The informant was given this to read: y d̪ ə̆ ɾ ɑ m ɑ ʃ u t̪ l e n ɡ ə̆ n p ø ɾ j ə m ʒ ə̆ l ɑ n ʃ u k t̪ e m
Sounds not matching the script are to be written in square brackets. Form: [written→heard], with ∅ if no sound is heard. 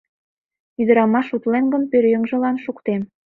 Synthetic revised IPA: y d̪ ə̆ ɾ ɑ m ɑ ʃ u t̪ l e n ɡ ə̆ n p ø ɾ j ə [m→ŋ] ʒ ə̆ l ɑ n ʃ u k t̪ e m